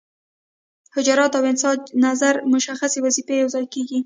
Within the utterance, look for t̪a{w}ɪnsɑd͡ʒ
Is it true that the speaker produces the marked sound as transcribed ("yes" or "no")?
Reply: yes